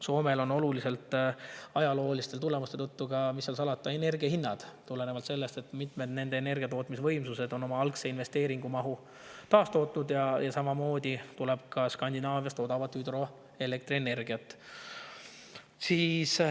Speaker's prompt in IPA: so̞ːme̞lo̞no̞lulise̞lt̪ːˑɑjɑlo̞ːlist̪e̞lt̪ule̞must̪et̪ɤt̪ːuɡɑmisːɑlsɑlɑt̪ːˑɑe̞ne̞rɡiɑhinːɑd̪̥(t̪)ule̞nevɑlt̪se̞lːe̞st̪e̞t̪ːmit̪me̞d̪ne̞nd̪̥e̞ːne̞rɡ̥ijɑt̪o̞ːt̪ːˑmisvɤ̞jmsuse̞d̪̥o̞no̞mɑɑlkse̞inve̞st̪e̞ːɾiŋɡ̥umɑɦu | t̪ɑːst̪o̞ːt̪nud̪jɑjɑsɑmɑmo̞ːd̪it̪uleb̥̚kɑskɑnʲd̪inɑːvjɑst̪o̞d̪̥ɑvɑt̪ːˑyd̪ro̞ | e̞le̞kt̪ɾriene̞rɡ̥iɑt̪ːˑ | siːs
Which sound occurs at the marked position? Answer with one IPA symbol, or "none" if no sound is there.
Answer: t̪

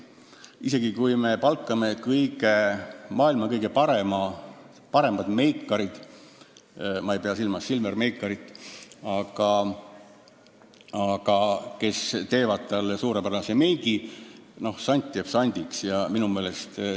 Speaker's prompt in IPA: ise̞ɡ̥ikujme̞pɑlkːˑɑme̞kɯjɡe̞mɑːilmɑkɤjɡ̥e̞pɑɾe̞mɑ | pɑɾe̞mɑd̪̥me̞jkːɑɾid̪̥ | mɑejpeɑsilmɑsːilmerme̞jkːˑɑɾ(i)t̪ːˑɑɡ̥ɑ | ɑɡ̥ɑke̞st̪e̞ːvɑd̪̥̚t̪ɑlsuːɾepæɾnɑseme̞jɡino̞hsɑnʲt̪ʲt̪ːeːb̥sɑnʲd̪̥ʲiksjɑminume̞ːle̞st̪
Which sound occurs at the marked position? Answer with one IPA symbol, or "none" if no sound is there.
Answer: i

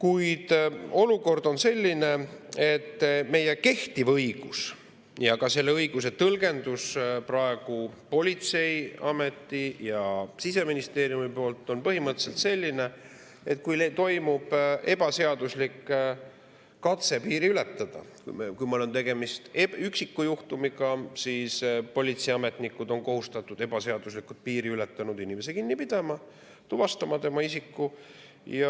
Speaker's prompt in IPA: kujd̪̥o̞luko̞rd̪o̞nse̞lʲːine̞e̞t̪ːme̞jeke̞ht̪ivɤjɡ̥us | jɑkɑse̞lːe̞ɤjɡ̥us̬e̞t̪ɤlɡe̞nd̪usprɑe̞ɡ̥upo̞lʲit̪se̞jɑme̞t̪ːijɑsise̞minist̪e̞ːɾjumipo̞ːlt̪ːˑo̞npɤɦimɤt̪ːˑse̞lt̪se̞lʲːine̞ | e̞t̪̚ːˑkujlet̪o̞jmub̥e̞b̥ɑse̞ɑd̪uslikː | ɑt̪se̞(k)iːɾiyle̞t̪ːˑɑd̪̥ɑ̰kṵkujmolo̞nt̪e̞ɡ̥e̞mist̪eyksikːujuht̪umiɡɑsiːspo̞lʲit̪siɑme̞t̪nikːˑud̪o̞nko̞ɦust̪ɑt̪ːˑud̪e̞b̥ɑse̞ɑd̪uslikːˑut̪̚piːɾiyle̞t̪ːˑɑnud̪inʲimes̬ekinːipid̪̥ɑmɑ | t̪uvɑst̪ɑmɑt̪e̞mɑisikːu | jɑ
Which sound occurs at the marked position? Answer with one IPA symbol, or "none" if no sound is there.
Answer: p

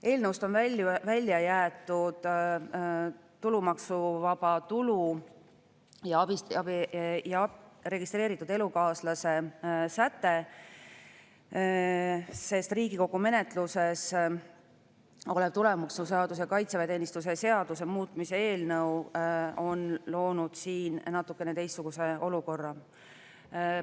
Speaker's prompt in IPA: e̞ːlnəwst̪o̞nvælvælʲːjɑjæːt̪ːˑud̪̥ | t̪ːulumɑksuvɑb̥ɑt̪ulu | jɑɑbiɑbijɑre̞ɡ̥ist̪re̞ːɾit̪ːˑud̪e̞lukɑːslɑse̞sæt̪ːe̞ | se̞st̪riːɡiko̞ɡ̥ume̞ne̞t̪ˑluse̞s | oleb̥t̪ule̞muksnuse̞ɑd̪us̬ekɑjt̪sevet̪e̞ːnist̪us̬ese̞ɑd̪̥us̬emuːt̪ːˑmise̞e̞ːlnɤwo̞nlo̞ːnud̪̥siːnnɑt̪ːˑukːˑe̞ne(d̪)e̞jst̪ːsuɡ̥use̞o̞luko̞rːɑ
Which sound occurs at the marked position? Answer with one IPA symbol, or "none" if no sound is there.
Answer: t̪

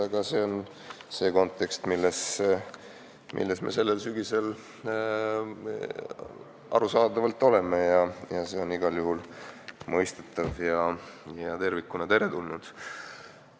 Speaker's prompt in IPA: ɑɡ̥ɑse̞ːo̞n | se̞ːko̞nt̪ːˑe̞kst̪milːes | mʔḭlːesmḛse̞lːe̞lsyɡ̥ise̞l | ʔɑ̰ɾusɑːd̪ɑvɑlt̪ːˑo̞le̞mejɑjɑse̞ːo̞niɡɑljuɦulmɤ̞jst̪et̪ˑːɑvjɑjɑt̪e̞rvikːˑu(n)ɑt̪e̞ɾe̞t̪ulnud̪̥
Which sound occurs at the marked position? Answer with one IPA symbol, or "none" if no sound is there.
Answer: n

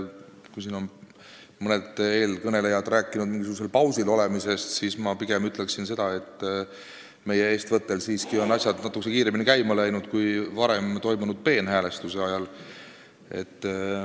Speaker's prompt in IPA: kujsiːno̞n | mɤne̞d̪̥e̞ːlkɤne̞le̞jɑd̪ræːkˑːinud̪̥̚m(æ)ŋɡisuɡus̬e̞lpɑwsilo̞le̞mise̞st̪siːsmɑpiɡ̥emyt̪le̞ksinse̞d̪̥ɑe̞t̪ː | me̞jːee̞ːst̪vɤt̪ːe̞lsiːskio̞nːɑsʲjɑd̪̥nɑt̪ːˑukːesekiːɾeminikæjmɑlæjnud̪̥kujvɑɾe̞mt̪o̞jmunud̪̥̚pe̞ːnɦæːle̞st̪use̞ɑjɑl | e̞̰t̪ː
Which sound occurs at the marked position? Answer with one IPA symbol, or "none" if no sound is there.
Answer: i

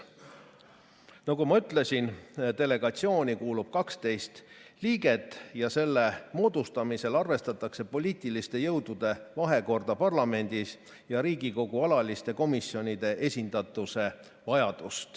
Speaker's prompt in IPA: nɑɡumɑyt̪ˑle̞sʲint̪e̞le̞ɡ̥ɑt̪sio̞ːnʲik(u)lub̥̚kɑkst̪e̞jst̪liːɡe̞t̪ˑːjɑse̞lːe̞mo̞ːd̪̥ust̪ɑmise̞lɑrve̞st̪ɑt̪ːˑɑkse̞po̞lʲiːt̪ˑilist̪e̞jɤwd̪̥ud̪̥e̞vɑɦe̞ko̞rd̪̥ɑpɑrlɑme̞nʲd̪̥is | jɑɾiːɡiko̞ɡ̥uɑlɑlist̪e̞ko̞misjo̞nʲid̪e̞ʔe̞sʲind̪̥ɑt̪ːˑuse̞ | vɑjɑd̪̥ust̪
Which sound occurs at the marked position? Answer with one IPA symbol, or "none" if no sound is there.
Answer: uː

